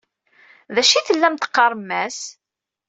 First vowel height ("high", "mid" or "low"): low